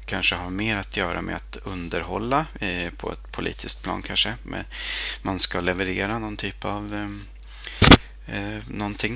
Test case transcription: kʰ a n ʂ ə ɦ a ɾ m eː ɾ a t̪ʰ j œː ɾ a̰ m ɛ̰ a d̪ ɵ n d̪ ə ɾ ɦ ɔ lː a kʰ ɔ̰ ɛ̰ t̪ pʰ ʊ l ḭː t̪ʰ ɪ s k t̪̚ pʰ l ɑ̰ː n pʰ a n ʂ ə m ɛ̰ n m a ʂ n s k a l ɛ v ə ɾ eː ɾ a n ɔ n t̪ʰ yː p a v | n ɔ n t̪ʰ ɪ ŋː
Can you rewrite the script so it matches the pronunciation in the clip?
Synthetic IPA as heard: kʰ a n ʂ ə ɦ a ɾ m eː ɾ a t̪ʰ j œː ɾ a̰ m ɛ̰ a t̪ ɵ n d̪ ə ɾ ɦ ɔ lː a pʰ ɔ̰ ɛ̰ t̪ pʰ ʊ l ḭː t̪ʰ ɪ s k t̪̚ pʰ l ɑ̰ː n kʰ a n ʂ ə m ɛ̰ n m a n s k a l ɛ v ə ɾ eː ɾ a n ɔ n t̪ʰ yː p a v | n ɔ n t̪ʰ ɪ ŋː